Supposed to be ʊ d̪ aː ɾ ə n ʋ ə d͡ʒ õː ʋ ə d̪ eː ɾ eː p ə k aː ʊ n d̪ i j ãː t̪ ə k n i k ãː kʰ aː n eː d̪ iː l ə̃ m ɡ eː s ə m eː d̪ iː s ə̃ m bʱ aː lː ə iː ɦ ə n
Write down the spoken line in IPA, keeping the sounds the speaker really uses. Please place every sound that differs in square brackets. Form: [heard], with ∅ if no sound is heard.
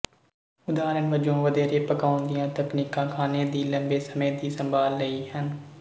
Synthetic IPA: ʊ d̪ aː ɾ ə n ʋ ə d͡ʒ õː ʋ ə d̪ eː ɾ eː p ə k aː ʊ n d̪ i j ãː t̪ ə k n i k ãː kʰ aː n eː d̪ iː l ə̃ m [b] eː s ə m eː d̪ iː s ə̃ m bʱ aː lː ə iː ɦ ə n